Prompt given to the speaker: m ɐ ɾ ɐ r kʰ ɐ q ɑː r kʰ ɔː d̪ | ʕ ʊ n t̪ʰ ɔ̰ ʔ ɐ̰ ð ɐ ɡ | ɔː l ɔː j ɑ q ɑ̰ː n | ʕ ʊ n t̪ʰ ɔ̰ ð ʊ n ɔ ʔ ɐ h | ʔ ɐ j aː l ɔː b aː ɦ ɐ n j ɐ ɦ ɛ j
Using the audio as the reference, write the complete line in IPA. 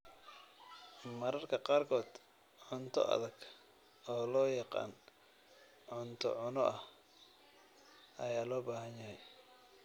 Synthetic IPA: m ɐ ɾ ɐ r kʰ ɐ q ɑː r kʰ ɔː d̪ | ʕ ʊ n t̪ʰ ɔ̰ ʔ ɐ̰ ð ɐ ɡ | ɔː l ɔː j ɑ q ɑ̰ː n | ʕ ʊ n t̪ʰ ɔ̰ ʕ ʊ n ɔ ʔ ɐ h | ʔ ɐ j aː l ɔː b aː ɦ ɐ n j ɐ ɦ ɛ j

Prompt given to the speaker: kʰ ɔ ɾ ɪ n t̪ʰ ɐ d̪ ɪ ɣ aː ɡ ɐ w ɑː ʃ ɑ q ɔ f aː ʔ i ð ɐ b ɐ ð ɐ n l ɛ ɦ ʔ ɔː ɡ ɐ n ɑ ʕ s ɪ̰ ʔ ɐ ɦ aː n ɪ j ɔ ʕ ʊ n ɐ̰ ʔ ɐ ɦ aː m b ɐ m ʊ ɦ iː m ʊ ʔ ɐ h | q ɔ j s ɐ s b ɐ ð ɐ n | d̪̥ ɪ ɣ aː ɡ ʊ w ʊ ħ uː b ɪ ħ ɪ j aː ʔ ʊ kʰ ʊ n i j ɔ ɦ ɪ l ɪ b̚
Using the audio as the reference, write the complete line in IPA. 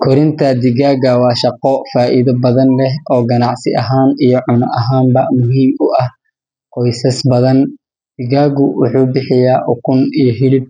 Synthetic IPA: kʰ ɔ ɾ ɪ n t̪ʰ ɐ d̪ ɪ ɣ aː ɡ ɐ w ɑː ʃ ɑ q ɔ f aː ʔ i ð ɐ b ɐ ð ɐ n l ɛ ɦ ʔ ɔː ɡ ɐ n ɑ ʕ s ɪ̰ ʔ ɐ ɦ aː n i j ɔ ʕ ʊ n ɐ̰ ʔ ɐ ɦ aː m b ɐ m ʊ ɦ iː m ʊ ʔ ɐ h | q ɔ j s ɐ s b ɐ ð ɐ n | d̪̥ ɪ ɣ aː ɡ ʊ w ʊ ħ uː b ɪ ħ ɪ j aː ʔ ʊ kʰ ʊ n i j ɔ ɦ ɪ l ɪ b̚

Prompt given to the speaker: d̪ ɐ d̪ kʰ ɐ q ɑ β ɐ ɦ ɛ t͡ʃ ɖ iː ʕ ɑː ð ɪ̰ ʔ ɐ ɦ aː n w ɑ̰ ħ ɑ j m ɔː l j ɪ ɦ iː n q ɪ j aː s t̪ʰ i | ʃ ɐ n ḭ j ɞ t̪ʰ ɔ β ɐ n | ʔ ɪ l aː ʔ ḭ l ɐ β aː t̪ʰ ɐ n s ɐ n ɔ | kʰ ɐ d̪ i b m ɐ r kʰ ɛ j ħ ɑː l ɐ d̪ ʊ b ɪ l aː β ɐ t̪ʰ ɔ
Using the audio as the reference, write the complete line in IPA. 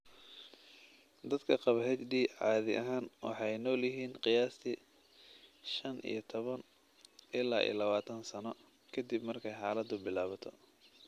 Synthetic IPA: d̪ ɐ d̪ kʰ ɐ q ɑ β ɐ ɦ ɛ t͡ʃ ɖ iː ʕ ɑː ð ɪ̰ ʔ ɐ ɦ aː n w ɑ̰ ħ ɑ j n ɔː l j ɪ ɦ iː n q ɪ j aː s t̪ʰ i | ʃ ɐ n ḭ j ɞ t̪ʰ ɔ β ɐ n | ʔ ɪ l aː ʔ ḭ l ɐ β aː t̪ʰ ɐ n s ɐ n ɔ | kʰ ɐ d̪ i b m ɐ r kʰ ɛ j ħ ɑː l ɐ d̪ ʊ b ɪ l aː β ɐ t̪ʰ ɔ

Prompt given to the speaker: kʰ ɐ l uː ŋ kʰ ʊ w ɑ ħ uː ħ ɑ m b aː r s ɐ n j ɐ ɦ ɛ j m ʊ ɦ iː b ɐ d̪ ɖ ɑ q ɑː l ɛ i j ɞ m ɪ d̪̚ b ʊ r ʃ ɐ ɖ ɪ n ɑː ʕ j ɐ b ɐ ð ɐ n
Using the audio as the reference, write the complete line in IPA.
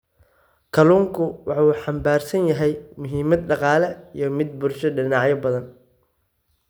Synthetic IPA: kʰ ɐ l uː ŋ kʰ ʊ w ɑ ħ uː ħ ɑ m b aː r s ɐ n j ɐ ɦ ɛ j m ʊ ɦ iː m ɐ d̪ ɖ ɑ q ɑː l ɛ i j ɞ m ɪ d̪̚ b ʊ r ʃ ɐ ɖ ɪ n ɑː ʕ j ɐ b ɐ ð ɐ n

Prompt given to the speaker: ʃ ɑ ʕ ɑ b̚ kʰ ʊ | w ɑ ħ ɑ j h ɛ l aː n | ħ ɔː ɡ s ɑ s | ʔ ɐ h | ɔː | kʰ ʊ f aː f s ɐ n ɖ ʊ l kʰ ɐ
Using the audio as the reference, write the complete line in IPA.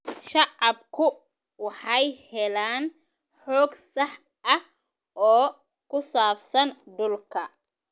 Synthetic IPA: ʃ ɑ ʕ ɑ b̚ kʰ ʊ | w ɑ ħ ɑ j h ɛ l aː n | ħ ɔː ɡ s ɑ ħ | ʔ ɐ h | ɔː | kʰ ʊ s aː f s ɐ n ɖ ʊ l kʰ ɐ

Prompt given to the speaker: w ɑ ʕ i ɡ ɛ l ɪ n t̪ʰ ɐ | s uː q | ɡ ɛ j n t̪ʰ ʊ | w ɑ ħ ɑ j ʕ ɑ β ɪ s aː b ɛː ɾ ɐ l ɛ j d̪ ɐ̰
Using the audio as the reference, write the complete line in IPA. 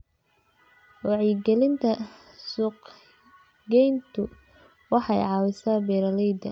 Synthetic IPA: w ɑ ʕ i ɡ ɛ l ɪ n t̪ʰ ɐ | s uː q | ɡ ɛ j n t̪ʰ ʊ | w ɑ ħ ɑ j ʕ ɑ w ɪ s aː b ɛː ɾ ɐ l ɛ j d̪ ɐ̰

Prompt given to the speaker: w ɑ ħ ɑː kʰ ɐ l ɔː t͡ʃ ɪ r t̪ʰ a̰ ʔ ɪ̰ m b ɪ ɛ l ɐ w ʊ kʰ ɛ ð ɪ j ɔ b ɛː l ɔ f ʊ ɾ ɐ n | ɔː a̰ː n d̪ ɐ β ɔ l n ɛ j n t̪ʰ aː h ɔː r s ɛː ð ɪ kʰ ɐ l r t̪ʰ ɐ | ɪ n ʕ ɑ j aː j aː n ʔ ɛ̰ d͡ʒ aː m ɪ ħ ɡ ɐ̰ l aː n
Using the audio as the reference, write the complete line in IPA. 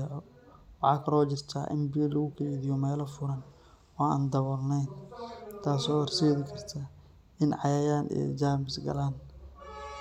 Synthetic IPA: w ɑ ħ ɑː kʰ ɐ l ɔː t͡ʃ ɪ r t̪ʰ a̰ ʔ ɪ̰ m b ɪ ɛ l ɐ ɣ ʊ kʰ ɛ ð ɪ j ɔ m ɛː l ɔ f ʊ ɾ ɐ n | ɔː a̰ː n d̪ ɐ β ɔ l n ɛ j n t̪ʰ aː s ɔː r s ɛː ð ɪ kʰ ɐ r t̪ʰ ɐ | ɪ n ʕ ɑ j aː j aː n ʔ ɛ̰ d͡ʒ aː m ɪ s ɡ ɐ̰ l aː n

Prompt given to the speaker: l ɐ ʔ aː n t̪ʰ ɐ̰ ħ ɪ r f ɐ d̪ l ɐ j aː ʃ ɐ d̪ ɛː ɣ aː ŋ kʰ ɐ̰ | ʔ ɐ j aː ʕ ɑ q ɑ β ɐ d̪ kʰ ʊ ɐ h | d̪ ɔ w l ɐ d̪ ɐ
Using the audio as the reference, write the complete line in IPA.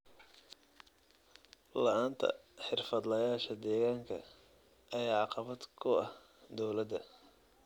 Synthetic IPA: l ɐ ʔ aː n t̪ʰ ɐ̰ ħ ɪ r f ɐ d̪ l ɐ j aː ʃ ɐ d̪ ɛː ɣ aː ŋ kʰ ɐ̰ | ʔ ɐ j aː ʕ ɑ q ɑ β ɐ d̪ kʰ ʊ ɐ h | d̪ ɔ w l ɐ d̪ ɐ

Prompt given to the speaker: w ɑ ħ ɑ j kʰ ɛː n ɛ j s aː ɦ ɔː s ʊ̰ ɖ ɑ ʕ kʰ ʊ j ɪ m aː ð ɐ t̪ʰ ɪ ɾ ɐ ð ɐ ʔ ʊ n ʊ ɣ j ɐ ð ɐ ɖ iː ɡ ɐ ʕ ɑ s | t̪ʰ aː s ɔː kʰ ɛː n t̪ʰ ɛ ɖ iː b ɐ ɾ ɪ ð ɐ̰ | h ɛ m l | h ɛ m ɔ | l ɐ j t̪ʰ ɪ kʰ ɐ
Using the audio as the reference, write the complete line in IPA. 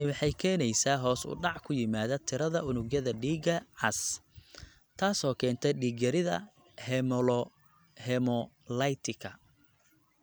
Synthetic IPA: w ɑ ħ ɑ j kʰ ɛː n ɛ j s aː ɦ ɔː s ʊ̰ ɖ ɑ ʕ kʰ ʊ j ɪ m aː ð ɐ t̪ʰ ɪ ɾ ɐ ð ɐ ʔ ʊ n ʊ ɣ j ɐ ð ɐ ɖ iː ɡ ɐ ʕ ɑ s | t̪ʰ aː s ɔː kʰ ɛː n t̪ʰ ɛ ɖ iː ɡ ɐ ɾ ɪ ð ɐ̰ | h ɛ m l | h ɛ m ɔ | l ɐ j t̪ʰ ɪ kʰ ɐ

